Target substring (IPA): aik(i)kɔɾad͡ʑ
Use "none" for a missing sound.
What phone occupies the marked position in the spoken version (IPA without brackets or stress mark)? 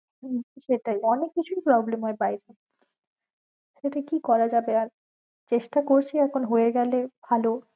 i